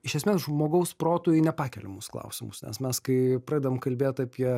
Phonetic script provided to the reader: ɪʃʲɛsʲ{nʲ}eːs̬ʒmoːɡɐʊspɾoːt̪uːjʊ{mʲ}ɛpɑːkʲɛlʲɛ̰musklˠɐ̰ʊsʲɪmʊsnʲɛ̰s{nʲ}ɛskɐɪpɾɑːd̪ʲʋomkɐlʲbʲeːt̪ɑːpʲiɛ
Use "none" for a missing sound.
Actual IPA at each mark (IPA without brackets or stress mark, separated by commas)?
mʲ, nʲ, mʲ